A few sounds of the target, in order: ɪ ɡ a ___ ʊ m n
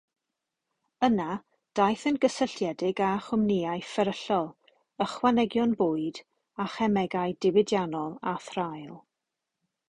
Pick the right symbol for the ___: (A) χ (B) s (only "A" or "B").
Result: A